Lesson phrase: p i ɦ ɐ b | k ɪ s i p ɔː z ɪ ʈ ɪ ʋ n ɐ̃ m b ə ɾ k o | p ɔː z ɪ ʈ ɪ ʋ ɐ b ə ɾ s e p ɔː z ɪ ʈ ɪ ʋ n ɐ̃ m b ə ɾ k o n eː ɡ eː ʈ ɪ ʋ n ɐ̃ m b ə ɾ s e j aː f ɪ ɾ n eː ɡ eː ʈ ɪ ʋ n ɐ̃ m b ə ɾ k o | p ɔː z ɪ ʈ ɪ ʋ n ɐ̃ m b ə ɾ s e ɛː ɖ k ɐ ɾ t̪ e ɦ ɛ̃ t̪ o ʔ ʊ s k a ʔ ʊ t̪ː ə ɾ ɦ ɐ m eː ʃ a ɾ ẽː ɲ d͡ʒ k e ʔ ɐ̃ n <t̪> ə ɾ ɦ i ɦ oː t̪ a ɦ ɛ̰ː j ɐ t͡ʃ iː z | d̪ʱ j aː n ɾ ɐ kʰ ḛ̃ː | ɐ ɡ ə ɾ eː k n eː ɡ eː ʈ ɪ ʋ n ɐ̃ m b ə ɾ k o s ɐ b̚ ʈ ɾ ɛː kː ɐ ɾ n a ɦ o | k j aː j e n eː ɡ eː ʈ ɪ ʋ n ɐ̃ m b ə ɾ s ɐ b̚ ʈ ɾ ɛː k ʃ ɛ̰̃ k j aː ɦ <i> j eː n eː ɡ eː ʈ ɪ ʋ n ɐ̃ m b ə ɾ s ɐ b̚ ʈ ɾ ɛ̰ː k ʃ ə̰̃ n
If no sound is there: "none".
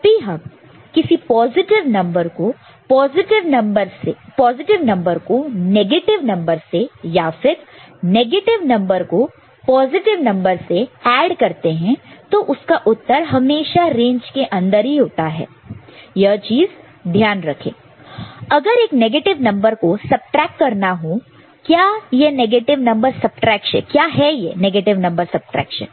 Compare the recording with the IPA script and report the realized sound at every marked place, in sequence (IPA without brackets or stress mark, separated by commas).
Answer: d̪, ɛ